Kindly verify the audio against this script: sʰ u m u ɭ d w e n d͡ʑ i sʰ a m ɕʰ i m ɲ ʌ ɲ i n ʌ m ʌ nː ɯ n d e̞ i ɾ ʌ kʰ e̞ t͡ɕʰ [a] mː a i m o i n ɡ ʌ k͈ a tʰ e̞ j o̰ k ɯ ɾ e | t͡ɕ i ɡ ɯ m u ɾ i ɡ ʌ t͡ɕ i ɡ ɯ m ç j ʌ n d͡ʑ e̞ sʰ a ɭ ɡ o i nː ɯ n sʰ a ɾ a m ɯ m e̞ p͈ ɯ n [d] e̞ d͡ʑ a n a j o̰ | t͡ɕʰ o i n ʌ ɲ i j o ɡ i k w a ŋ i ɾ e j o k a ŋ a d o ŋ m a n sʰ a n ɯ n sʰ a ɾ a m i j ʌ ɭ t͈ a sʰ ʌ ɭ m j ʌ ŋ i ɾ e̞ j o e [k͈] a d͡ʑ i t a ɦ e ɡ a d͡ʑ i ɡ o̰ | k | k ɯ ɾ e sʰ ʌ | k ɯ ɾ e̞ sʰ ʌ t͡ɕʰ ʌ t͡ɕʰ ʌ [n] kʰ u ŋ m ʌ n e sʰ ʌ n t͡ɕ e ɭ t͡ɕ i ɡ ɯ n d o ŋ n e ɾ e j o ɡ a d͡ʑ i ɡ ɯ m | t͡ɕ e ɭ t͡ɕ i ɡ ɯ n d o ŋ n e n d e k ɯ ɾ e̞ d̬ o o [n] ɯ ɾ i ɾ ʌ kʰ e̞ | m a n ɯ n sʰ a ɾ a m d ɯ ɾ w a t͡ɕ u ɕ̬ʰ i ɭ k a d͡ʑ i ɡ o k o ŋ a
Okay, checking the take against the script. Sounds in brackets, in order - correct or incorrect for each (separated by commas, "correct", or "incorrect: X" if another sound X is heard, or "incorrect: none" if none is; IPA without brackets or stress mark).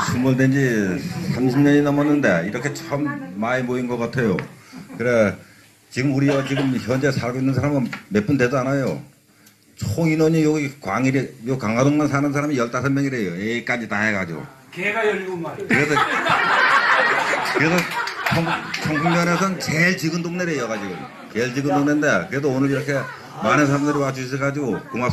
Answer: incorrect: ʌ, correct, correct, incorrect: ŋ, correct